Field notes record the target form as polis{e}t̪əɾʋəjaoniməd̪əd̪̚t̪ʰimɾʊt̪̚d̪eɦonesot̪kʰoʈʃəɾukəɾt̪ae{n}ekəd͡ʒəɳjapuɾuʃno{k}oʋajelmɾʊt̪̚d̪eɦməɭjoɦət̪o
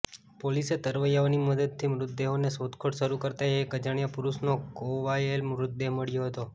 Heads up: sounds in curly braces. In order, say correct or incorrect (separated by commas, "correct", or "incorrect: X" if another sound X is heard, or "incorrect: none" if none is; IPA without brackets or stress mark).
correct, incorrect: none, correct